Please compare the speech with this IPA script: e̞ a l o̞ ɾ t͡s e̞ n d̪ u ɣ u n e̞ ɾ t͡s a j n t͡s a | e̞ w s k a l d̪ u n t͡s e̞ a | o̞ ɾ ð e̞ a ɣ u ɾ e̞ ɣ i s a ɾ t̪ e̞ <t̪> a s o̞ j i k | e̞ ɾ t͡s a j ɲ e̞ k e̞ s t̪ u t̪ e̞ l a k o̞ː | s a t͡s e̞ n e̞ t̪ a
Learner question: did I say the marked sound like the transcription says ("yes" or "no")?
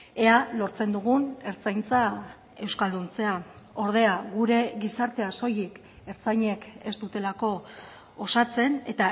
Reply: no